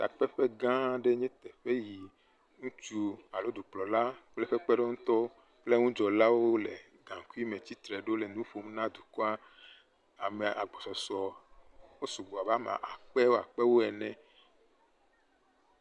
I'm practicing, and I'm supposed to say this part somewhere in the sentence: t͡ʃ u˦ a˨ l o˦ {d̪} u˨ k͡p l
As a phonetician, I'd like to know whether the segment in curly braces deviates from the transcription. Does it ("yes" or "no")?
no